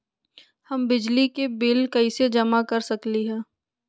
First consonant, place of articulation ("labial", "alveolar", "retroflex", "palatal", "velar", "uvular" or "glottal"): glottal